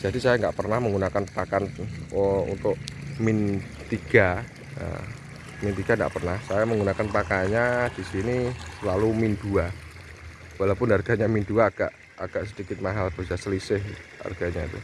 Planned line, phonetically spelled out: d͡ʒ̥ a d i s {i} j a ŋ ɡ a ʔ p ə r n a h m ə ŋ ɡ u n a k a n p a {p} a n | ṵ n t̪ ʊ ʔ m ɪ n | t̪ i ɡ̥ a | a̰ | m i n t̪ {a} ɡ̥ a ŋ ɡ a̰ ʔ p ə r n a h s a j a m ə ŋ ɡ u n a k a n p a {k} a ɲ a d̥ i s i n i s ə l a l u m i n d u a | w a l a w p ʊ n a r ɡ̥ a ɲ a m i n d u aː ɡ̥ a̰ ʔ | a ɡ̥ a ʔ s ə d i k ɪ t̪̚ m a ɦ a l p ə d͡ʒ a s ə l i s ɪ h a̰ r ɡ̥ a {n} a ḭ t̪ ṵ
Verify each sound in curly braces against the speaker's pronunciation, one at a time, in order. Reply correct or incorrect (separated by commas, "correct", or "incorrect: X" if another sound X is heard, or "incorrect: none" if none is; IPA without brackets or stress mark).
incorrect: a, incorrect: k, incorrect: i, correct, incorrect: ɲ